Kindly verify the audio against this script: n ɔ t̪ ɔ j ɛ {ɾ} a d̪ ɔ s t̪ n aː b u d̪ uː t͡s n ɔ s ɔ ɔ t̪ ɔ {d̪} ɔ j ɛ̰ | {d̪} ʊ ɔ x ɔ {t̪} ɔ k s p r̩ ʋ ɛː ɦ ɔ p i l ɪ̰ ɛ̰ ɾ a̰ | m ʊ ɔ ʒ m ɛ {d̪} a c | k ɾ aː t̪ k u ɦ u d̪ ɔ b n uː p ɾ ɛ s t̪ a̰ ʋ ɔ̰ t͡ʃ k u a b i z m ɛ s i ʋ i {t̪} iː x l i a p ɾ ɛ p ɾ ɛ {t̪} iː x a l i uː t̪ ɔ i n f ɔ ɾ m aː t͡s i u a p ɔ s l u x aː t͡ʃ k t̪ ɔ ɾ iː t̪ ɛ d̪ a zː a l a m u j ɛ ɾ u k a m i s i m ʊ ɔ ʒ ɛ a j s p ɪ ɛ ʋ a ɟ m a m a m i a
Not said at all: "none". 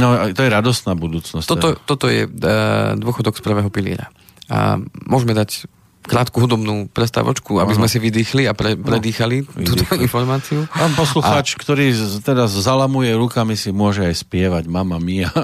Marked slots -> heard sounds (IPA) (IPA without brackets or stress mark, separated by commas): ɾ, t̪, d̪, d̪, d̪, d̪, d̪